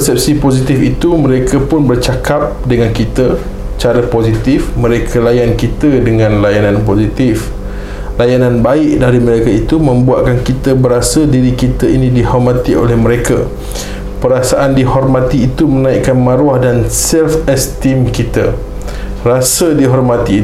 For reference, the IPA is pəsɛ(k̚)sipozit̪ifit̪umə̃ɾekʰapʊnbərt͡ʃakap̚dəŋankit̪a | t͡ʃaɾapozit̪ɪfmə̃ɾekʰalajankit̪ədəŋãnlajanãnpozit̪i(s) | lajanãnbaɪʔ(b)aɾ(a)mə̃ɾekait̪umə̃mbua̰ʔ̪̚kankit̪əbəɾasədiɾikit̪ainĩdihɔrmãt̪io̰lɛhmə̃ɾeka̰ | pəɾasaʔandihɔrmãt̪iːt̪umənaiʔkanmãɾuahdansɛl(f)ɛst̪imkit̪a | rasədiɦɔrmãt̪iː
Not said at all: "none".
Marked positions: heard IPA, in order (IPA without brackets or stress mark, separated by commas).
p̚, f, d, i, f